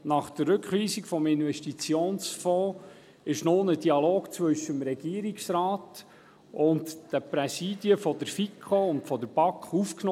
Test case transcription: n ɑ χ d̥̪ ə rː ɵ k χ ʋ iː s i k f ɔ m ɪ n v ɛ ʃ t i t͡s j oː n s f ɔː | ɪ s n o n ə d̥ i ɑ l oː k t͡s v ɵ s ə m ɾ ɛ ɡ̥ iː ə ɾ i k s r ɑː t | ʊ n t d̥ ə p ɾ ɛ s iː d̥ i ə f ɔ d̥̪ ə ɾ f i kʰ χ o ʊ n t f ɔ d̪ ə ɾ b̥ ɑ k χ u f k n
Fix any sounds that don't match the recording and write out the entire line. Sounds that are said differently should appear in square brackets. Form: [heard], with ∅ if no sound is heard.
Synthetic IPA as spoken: n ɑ χ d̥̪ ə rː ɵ k χ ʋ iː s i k f ɔ m ɪ n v ɛ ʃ t i t͡s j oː n s f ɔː | ɪ [ʃ] n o n ə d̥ i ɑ l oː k t͡s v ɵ [ʃ] ə m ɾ ɛ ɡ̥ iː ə ɾ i k s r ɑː t | ʊ n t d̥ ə p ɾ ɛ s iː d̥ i ə f ɔ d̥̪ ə ɾ f i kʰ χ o ʊ n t f ɔ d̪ ə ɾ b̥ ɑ k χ u f k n